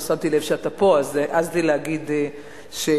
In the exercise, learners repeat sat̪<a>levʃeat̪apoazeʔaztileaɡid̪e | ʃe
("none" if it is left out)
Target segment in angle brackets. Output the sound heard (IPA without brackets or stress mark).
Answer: i